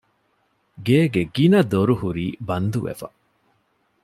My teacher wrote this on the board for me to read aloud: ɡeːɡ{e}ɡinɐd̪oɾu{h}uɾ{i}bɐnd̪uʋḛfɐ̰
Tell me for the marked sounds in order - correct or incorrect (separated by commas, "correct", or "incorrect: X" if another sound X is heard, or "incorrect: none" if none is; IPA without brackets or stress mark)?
correct, correct, incorrect: iː